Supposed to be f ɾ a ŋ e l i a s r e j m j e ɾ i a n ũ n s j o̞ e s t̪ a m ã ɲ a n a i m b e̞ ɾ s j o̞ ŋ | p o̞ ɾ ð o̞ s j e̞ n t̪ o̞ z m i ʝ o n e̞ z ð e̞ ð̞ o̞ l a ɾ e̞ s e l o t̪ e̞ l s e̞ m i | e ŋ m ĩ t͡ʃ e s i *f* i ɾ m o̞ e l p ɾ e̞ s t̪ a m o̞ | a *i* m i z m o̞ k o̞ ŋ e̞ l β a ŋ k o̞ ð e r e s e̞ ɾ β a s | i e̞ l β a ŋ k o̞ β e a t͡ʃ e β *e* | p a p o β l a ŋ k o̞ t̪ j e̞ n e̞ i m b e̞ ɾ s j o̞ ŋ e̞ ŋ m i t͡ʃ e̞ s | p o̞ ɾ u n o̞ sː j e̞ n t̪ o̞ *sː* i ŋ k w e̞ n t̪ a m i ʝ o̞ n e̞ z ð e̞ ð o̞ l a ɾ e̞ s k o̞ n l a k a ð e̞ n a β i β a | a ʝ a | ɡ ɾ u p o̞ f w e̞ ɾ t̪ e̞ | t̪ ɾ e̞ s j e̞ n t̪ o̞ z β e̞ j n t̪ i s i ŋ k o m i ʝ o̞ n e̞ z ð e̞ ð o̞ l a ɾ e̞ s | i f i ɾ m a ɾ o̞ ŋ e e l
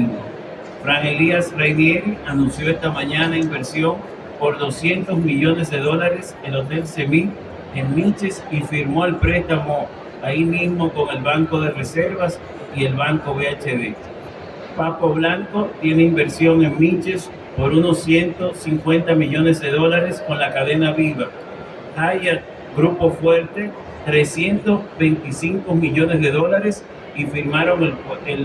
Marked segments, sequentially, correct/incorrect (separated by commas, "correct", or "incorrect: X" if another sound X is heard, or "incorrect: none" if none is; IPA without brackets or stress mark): correct, correct, correct, incorrect: s